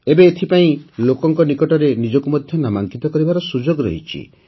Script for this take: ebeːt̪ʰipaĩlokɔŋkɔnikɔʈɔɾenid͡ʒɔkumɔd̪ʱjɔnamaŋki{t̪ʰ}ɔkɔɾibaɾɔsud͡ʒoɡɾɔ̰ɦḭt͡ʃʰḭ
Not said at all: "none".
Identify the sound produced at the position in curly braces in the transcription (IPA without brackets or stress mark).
t̪